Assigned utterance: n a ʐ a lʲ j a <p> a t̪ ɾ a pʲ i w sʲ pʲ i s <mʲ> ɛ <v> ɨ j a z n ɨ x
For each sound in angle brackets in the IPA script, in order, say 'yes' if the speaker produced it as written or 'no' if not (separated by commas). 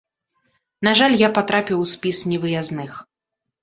yes, no, yes